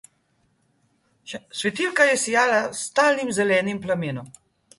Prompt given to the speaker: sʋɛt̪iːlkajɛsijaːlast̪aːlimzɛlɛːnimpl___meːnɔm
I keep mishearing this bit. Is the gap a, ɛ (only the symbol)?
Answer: a